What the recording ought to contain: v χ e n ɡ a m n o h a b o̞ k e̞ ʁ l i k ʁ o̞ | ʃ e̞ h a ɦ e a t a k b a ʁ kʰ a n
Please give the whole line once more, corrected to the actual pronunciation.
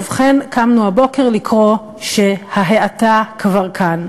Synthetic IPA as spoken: v χ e n k a m n u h a b o̞ k e̞ ʁ l i k ʁ o̞ | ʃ e̞ h a ɦ e a t a k v a ʁ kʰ a n